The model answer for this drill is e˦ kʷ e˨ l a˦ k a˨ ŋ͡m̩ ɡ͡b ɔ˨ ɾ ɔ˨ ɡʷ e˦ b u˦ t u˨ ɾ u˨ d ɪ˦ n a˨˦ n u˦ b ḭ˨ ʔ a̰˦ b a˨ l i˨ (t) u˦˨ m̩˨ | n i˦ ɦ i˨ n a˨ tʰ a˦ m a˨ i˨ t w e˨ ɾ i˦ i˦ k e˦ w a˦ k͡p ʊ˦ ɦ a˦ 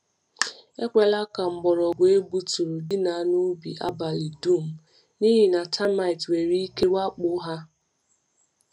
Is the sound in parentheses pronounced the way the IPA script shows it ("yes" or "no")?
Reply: no